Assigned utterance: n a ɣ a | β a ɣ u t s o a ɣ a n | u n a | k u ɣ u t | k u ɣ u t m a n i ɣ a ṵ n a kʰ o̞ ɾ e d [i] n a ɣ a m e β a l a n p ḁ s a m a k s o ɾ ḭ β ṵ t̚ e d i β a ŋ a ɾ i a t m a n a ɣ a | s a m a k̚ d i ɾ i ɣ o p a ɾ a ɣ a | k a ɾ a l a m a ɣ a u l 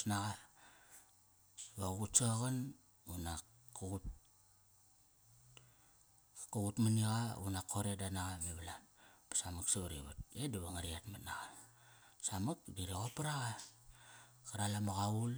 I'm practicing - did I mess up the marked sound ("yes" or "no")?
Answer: yes